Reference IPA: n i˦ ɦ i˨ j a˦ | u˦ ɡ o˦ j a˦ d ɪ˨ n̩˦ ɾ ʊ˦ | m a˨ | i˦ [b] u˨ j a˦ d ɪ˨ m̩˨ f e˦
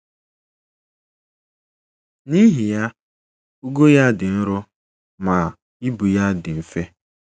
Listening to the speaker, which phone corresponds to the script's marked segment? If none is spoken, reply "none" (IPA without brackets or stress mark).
b